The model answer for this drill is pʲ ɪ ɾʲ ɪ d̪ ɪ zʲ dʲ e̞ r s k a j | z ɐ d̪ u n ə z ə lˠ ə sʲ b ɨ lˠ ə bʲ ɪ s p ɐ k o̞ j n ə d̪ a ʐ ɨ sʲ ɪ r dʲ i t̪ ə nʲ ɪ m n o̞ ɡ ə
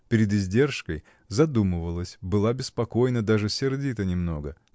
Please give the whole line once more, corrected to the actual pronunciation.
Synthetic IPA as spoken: pʲ ɪ ɾʲ ɪ d̪ ɪ zʲ dʲ e̞ r ʂ k ə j | z ɐ d̪ u m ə v ə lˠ ə sʲ b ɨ lˠ a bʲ ɪ s p ɐ k o̞ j n ə d̪ a ʐ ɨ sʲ ɪ r dʲ i t̪ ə nʲ ɪ m n o̞ ɡ ə